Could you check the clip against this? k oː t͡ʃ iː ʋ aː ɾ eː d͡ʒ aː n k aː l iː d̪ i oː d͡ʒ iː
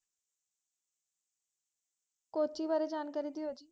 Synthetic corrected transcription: k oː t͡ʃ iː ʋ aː ɾ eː d͡ʒ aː n k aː ɾ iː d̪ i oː d͡ʒ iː

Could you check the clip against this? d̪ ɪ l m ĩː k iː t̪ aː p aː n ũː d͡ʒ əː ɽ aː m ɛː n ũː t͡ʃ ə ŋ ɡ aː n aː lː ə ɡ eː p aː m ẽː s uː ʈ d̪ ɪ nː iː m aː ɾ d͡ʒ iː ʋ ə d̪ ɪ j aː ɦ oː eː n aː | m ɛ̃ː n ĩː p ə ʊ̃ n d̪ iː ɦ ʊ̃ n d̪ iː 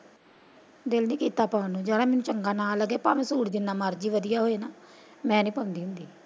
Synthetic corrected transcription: d̪ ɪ l n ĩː k iː t̪ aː p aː n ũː d͡ʒ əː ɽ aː m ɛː n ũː t͡ʃ ə ŋ ɡ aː n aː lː ə ɡ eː p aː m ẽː s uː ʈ d̪ ɪ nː aː m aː ɾ d͡ʒ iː ʋ ə d̪ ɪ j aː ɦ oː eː n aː | m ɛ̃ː n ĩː p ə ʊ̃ n d̪ iː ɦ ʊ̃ n d̪ iː

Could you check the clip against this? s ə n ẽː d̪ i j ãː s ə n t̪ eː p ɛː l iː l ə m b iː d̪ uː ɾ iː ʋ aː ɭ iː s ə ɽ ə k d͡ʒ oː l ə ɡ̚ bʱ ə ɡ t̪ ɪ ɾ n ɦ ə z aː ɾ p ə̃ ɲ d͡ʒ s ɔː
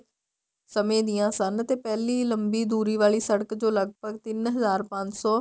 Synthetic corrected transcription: s ə m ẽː d̪ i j ãː s ə n t̪ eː p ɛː l iː l ə m b iː d̪ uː ɾ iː ʋ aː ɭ iː s ə ɽ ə k d͡ʒ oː l ə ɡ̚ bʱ ə ɡ t̪ ɪ n ɦ ə z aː ɾ p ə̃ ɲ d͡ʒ s ɔː

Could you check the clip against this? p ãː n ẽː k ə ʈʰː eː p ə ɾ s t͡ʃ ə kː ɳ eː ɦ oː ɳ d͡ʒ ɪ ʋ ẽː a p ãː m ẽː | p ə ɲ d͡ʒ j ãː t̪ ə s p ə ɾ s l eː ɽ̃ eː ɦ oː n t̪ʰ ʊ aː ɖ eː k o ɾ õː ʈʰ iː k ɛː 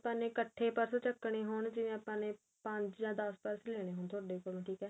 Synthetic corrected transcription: p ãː n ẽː k ə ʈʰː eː p ə ɾ s t͡ʃ ə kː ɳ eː ɦ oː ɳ d͡ʒ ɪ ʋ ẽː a p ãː n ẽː | p ə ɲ d͡ʒ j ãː d̪ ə s p ə ɾ s l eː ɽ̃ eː ɦ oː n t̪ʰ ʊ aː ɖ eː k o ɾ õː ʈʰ iː k ɛː

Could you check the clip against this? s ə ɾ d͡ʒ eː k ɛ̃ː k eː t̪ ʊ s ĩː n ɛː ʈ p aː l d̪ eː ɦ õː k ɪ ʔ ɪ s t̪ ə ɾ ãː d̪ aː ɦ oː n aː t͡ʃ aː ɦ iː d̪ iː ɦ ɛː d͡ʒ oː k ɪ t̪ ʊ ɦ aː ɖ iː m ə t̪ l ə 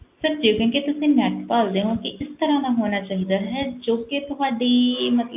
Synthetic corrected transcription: s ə ɾ d͡ʒ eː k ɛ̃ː k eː t̪ ʊ s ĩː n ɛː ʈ p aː l d̪ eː ɦ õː k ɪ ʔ ɪ s t̪ ə ɾ ãː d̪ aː ɦ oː n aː t͡ʃ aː ɦ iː d̪ aː ɦ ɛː d͡ʒ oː k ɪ t̪ ʊ ɦ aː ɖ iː m ə t̪ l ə

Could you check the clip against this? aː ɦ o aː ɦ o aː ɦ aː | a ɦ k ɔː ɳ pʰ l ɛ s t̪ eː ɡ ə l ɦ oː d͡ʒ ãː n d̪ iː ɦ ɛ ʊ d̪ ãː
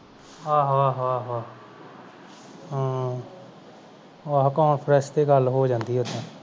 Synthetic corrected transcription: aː ɦ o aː ɦ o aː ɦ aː | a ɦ k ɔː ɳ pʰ ɾ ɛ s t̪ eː ɡ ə l ɦ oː d͡ʒ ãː n d̪ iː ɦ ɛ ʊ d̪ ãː

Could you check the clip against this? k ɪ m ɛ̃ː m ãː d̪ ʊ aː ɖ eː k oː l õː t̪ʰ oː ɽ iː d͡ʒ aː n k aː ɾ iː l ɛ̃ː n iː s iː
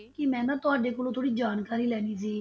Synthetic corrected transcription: k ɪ m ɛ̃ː n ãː t̪ ʊ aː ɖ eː k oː l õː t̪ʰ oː ɽ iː d͡ʒ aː n k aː ɾ iː l ɛː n iː s iː

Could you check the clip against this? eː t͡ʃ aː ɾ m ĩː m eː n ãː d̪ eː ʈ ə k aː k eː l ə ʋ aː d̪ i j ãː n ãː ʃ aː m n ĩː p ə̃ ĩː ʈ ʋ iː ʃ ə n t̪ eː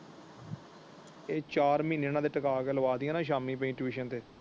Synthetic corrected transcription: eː t͡ʃ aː ɾ m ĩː n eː n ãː d̪ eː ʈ ə k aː k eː l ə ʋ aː d̪ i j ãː n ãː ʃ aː m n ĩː p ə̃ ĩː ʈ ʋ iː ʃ ə n t̪ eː

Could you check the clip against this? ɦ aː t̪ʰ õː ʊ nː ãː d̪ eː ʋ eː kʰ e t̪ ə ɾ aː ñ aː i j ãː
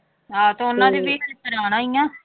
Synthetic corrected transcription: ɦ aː t̪ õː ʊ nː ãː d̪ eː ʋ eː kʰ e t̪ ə ɾ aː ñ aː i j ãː

